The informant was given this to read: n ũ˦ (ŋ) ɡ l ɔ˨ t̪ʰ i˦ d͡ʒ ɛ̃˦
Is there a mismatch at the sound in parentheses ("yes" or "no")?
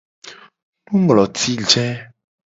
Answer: no